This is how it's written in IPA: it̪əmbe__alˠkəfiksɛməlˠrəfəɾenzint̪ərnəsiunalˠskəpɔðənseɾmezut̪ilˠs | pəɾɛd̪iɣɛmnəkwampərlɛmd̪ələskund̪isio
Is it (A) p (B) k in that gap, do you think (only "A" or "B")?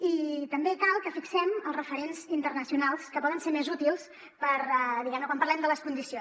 B